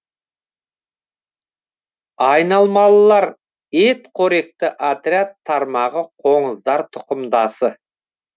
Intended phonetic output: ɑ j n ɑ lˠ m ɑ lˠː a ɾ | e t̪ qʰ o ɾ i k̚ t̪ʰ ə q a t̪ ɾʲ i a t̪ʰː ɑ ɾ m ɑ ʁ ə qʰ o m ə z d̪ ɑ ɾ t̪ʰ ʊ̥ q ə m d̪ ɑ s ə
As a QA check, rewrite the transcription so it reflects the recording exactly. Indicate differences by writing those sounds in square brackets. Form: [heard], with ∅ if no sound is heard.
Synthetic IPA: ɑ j n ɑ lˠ m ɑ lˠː [ɑ] ɾ | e t̪ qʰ o ɾ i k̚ [t̪] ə [ʔ] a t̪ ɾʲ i a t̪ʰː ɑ ɾ m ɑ ʁ ə qʰ o [ɴ] ə z d̪ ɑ ɾ t̪ʰ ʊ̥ q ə m d̪ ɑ s ə